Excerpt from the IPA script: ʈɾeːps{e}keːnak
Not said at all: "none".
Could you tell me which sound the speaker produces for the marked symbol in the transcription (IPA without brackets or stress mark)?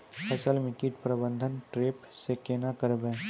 e